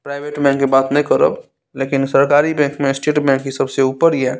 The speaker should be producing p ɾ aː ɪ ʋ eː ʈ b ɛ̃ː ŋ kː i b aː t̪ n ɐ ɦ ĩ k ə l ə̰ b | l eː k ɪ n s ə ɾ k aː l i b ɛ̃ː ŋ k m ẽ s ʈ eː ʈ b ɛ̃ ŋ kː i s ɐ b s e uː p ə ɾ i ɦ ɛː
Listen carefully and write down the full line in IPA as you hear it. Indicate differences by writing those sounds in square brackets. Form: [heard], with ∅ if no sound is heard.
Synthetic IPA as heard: p ɾ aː ɪ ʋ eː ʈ b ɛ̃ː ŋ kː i b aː t̪ n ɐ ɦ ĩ k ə [ɾ] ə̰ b | l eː k ɪ n s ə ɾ k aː [ɾ] i b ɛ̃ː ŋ k m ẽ s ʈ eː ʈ b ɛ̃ ŋ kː i s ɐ b s e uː p ə ɾ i ɦ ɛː